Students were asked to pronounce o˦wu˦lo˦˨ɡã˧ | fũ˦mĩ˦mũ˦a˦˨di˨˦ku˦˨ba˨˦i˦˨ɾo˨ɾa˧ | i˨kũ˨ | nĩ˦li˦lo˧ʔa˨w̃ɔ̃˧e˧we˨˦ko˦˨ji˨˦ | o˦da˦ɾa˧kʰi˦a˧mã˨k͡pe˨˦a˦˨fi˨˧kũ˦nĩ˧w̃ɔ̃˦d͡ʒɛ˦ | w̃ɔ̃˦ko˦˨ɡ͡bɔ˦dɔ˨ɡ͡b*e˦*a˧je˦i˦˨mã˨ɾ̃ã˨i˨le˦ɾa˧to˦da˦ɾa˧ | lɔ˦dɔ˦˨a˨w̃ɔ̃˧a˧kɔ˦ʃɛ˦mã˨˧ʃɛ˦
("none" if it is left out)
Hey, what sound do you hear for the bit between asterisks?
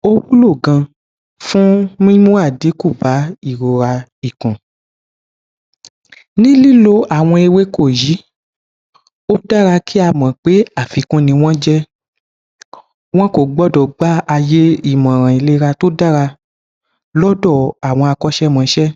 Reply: a˦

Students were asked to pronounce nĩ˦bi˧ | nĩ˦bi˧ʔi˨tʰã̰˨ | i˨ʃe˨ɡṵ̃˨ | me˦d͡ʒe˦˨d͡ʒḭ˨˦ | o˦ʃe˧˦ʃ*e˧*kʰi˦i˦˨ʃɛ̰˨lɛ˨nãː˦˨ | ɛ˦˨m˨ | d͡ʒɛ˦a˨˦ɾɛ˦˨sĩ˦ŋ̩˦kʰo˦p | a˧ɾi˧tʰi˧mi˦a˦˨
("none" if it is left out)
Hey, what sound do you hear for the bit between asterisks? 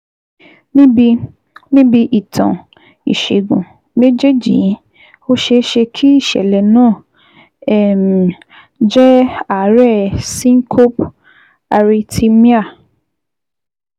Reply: e˧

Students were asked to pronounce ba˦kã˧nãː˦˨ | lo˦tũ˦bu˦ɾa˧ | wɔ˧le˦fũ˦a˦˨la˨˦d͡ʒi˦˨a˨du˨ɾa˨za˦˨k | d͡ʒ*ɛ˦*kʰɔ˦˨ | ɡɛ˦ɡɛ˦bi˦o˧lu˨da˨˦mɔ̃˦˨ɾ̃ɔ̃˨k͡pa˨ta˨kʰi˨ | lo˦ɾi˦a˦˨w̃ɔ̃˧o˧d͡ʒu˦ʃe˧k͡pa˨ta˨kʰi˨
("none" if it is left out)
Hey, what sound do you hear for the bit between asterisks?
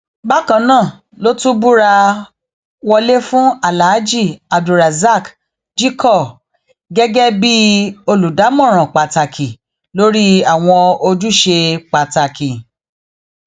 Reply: i˦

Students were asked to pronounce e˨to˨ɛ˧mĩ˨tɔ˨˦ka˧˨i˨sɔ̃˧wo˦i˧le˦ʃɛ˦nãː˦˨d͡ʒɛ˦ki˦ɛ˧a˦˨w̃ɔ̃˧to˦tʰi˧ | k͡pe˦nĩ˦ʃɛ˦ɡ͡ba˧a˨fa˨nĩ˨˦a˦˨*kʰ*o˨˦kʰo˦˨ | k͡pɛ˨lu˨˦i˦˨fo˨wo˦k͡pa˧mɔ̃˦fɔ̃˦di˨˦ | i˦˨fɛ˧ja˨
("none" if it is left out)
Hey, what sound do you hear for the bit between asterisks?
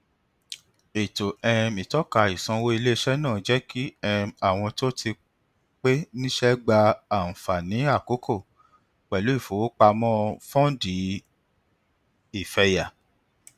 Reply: k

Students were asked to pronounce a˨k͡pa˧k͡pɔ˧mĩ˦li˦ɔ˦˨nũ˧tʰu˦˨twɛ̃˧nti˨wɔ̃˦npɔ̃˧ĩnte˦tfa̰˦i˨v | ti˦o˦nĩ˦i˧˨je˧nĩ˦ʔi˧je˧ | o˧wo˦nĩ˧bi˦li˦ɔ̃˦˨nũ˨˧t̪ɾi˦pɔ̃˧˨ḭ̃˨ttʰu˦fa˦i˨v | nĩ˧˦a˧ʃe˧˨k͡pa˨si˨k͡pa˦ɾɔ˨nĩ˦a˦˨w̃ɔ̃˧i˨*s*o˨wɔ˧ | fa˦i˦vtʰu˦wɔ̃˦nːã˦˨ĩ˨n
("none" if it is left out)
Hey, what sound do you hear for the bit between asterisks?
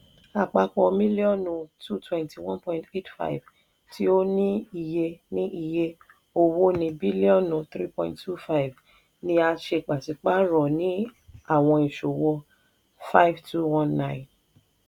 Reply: ʃ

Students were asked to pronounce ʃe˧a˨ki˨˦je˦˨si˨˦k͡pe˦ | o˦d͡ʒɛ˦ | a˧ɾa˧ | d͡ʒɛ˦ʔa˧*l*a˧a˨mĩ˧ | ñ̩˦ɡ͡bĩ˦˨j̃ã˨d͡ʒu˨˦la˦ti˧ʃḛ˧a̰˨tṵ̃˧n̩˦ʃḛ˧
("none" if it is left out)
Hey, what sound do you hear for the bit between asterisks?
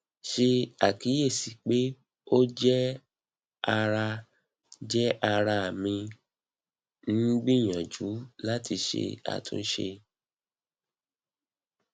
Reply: ɾ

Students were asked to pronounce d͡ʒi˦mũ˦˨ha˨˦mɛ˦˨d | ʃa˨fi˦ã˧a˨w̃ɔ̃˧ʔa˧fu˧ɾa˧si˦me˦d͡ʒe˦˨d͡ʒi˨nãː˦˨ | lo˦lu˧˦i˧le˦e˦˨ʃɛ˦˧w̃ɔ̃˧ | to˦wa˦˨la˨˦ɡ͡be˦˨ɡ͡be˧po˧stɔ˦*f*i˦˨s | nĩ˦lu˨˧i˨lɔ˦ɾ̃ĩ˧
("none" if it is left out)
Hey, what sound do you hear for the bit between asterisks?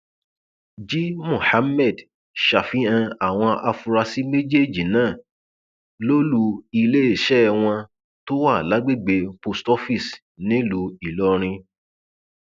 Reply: f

